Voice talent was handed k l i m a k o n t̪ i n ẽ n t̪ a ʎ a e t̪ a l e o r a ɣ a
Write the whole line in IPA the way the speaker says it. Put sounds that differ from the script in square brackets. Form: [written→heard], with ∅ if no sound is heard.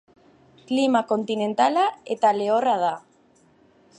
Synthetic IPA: k l i m a k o n t̪ i n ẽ n t̪ a [ʎ→l] a e t̪ a l e o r a [ɣ→ð] a